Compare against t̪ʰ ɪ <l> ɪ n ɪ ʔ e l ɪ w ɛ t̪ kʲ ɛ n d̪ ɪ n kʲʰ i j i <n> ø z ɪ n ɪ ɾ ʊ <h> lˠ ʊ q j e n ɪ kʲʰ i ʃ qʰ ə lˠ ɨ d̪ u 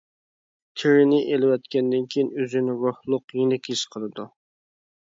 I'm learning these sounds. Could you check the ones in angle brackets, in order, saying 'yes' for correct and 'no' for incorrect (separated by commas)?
no, yes, yes